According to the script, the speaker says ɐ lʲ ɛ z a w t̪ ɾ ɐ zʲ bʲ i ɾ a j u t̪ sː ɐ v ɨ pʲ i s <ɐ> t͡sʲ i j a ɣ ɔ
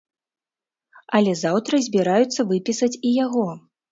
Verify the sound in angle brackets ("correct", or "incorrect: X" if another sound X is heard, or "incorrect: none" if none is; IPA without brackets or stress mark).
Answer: correct